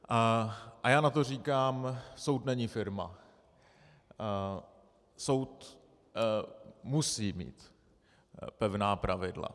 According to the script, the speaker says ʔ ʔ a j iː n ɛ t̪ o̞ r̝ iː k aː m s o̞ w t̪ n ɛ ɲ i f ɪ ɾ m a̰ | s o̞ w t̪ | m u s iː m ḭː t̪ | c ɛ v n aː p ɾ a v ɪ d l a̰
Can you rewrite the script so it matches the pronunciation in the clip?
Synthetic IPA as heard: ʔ ʔ a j aː n a t̪ o̞ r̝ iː k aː m s o̞ w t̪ n ɛ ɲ i f ɪ ɾ m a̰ | s o̞ w t̪ | m u s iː m ḭː t̪ | p ɛ v n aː p ɾ a v ɪ d l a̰